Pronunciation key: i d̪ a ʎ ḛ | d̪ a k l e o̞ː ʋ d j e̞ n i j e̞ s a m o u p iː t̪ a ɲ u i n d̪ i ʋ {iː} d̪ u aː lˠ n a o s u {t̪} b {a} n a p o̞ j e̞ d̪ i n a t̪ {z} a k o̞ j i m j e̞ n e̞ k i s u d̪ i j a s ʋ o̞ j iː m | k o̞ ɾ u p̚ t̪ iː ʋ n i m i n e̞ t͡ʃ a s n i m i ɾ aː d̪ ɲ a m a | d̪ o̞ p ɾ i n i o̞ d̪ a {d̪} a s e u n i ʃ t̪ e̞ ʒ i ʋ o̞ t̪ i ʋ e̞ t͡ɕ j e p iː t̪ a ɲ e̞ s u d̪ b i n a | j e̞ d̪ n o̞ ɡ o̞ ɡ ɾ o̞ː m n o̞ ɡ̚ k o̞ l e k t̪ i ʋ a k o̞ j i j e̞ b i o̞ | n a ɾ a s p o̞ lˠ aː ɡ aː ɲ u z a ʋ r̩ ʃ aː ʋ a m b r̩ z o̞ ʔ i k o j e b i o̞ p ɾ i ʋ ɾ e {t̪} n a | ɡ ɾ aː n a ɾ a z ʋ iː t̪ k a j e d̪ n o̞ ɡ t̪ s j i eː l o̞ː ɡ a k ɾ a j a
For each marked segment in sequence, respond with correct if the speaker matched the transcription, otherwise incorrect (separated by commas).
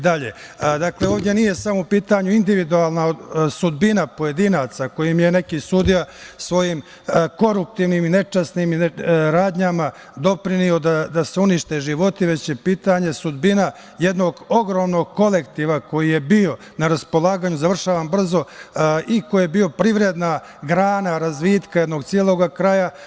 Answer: incorrect, incorrect, incorrect, incorrect, correct, incorrect